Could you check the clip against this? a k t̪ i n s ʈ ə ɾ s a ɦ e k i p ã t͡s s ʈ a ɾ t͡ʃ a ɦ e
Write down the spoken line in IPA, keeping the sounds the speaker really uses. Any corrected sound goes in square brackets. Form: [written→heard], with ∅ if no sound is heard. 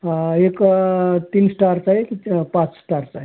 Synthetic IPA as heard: [a→e] k t̪ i n s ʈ [ə→a] ɾ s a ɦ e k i p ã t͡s s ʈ a ɾ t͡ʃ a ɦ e